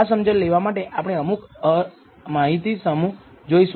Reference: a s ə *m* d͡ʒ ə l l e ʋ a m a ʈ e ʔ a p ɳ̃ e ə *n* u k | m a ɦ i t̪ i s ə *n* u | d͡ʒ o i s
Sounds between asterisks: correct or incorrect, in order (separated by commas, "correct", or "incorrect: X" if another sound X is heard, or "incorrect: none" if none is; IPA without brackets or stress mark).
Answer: correct, incorrect: m, incorrect: m